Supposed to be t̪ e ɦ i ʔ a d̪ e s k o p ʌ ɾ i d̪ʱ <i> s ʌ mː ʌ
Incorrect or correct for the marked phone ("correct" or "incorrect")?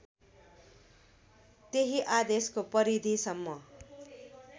correct